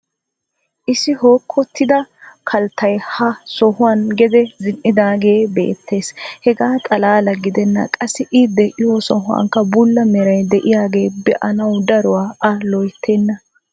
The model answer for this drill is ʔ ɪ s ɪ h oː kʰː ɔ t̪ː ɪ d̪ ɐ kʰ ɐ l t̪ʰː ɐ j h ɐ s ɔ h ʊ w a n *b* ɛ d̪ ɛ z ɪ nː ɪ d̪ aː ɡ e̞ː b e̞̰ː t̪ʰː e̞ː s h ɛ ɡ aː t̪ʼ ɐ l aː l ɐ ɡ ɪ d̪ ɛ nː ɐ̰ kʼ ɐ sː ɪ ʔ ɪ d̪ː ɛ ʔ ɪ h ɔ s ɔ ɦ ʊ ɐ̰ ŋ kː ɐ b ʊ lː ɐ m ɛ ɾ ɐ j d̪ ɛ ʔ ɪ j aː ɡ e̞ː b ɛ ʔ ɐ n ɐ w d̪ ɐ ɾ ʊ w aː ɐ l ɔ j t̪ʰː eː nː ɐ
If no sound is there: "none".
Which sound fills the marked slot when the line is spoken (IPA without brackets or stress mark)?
ɡ